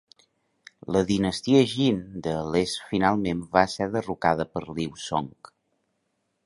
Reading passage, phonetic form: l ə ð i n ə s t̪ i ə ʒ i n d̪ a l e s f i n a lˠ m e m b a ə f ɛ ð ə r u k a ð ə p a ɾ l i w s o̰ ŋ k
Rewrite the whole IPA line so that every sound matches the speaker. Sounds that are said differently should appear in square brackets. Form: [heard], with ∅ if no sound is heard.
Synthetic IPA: l ə ð i n ə s t̪ i ə ʒ i n d̪ [ə] l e s f i n a lˠ m e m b a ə [s] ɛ ð ə r u k a ð ə p [ə] ɾ l i w s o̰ ŋ k